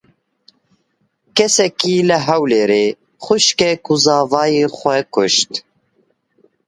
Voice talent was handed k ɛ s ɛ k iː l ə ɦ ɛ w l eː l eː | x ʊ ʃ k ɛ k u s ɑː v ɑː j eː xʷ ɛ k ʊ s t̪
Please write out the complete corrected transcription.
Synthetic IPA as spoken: k ɛ s ɛ k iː l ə ɦ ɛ w l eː ɾ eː | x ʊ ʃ k ɛ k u z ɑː v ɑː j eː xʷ ɛ k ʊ ʃ t̪